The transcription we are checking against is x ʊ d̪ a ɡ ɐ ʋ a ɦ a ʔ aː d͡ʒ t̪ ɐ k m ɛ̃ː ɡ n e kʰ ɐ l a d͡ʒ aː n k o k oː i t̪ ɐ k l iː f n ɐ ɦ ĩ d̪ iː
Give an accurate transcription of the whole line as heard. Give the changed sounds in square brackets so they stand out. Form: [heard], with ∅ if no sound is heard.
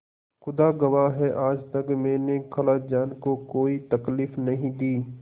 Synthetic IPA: x ʊ d̪ a ɡ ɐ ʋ a ɦ [ɛ] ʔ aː d͡ʒ t̪ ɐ k m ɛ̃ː [∅] n e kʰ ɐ l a d͡ʒ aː n k o k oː i t̪ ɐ k l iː f n ɐ ɦ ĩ d̪ iː